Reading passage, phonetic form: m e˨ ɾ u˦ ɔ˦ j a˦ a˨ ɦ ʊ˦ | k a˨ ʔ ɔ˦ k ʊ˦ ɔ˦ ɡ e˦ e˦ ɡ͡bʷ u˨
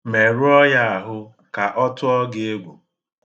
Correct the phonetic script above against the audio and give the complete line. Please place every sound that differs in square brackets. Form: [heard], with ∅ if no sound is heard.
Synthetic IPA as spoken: m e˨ ɾ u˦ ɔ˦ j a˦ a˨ ɦ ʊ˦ | k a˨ ʔ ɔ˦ [t] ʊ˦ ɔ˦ ɡ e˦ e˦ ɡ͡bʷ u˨